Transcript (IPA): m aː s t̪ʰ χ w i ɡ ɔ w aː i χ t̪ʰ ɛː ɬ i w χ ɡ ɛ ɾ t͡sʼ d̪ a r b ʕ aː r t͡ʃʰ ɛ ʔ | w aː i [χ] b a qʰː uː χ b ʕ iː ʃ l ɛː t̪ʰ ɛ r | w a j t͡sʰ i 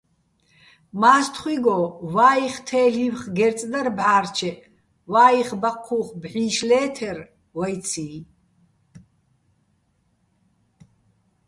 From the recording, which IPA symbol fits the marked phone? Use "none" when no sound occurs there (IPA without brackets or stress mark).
χ